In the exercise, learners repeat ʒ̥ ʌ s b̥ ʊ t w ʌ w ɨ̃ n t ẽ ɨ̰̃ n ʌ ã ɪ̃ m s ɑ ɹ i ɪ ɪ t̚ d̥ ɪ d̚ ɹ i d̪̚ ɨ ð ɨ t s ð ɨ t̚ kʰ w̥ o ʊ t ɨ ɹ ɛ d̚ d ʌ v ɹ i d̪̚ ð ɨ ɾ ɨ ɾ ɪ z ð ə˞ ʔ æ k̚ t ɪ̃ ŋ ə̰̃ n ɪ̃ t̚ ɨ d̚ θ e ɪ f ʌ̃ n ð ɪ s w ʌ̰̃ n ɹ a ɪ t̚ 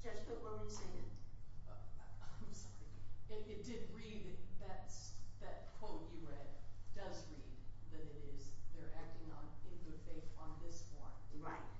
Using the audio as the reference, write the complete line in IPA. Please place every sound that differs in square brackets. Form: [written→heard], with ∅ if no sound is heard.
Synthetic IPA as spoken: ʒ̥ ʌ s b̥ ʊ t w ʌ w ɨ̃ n [t→s] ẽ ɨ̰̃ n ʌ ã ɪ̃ m s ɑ ɹ i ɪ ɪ t̚ d̥ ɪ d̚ ɹ i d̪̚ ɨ ð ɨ t s ð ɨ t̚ kʰ w̥ o ʊ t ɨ ɹ ɛ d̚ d ʌ [v→z] ɹ i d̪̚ ð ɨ ɾ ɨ ɾ ɪ z ð ə˞ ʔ æ k̚ t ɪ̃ ŋ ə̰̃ n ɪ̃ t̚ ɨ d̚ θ e ɪ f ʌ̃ n ð ɪ s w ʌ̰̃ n ɹ a ɪ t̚